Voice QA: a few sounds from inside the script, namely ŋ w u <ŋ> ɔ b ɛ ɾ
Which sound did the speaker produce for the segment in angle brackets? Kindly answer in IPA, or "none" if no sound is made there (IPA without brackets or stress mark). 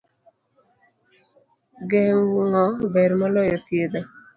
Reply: ŋ